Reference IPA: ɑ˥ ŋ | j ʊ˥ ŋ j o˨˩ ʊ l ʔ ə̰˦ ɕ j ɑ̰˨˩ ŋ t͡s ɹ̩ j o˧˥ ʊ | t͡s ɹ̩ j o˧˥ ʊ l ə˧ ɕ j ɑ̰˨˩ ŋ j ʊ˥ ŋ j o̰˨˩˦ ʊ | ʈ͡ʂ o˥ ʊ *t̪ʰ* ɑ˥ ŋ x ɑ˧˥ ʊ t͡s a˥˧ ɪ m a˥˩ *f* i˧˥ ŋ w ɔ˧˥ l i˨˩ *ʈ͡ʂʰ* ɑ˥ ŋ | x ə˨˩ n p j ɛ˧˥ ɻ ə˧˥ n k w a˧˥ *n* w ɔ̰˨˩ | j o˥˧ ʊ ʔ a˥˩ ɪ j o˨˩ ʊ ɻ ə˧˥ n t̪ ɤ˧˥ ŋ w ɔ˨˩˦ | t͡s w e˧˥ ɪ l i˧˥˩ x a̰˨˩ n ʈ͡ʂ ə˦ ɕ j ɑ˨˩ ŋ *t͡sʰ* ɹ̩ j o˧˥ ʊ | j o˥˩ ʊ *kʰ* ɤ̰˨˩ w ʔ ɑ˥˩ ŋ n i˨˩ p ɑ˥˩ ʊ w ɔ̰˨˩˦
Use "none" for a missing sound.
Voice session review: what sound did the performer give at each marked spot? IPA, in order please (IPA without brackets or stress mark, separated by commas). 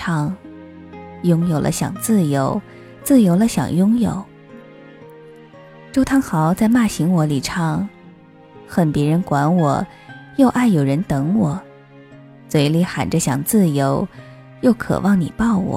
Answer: t̪ʰ, ɕ, ʈ͡ʂʰ, n, t͡s, kʰ